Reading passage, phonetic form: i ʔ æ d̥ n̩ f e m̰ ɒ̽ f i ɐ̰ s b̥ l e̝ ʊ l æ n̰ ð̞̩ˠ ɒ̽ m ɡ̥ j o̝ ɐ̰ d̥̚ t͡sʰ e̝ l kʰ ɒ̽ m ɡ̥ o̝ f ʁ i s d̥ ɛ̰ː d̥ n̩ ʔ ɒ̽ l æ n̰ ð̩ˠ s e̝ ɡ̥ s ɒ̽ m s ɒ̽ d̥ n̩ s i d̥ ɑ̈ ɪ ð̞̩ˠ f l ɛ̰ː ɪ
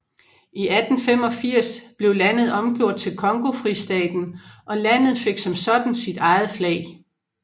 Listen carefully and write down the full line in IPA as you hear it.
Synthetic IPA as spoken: i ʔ æ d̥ n̩ f e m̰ ɒ̽ f i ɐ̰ s b̥ l e̝ ʊ l æ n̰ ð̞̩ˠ ɒ̽ m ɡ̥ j o̝ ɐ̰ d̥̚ t͡sʰ e̝ l kʰ ɒ̽ ŋ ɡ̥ o̝ f ʁ i s d̥ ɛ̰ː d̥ n̩ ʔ ɒ̽ l æ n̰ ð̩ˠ f e̝ ɡ̥ s ɒ̽ m s ɒ̽ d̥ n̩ s i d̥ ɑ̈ ɪ ð̞̩ˠ f l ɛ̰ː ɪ